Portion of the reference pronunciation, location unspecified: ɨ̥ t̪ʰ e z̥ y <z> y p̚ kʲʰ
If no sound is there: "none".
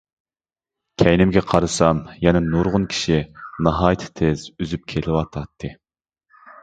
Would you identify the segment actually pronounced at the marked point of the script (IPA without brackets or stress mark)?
z